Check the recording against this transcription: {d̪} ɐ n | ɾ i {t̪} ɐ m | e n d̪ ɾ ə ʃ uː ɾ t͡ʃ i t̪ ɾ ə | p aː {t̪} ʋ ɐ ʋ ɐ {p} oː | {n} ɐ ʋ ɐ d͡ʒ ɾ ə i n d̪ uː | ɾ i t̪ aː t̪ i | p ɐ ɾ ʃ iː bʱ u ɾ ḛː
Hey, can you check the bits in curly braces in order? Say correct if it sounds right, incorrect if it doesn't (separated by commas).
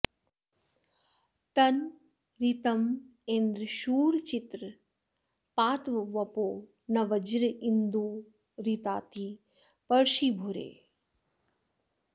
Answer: incorrect, correct, correct, correct, correct